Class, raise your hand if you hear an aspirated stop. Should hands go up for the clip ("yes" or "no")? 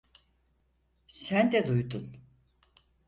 no